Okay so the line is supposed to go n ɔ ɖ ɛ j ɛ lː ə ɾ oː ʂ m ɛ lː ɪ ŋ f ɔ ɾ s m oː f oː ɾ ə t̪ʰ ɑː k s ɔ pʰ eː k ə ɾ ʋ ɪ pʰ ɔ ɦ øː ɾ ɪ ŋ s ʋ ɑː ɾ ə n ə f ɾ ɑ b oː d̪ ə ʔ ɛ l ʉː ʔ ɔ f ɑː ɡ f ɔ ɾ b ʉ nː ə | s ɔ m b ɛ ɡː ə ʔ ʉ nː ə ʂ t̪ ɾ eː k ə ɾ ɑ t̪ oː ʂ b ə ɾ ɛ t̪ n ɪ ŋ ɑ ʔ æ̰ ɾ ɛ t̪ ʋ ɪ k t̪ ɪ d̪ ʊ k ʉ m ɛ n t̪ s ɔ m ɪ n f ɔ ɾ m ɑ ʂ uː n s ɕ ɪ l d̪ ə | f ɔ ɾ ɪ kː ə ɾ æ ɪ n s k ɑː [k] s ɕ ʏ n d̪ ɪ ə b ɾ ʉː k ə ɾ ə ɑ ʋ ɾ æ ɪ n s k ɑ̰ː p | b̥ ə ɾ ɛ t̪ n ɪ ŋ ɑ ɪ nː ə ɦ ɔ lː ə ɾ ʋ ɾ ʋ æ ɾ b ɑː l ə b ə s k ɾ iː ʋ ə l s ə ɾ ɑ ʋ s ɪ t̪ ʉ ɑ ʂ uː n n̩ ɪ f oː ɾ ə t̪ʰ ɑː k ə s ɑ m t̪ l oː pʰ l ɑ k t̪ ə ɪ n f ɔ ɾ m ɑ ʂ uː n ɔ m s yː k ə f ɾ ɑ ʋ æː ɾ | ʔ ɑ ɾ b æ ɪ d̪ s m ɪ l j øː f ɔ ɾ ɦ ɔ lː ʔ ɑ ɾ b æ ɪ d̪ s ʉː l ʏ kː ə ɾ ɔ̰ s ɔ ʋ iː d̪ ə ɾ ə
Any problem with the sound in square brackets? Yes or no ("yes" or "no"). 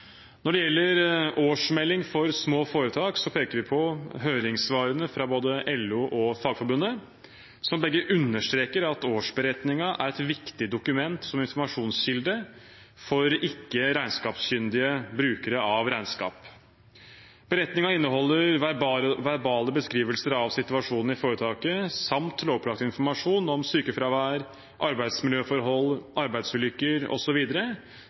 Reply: yes